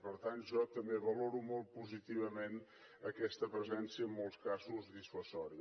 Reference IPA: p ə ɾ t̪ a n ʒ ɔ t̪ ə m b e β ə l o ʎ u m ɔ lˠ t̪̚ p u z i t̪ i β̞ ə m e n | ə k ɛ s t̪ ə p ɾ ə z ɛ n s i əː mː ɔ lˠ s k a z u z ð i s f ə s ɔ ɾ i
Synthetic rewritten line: p ə ɾ t̪ a n ʒ ɔ t̪ ə m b e β ə l o ɾ u m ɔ lˠ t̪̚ p u z i t̪ i β̞ ə m e n | ə k ɛ s t̪ ə p ɾ ə z ɛ n s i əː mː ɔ lˠ s k a z u z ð i s f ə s ɔ ɾ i